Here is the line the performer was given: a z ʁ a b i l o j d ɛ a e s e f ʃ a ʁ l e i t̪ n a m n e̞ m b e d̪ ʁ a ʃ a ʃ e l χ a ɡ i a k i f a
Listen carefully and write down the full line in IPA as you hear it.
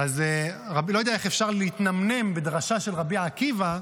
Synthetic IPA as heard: a z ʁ a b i l o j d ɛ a e χ e f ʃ a ʁ l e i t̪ n a m n e̞ m b e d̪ ʁ a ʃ a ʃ e l ʁ a b i a k i v a